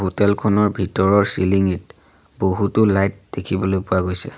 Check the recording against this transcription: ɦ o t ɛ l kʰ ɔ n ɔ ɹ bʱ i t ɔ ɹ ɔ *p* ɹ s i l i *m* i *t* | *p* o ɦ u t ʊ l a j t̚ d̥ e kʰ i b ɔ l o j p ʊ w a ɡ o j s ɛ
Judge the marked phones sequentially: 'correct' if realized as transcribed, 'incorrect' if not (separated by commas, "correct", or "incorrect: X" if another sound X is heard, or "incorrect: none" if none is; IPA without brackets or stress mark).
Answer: incorrect: none, incorrect: ŋ, correct, incorrect: b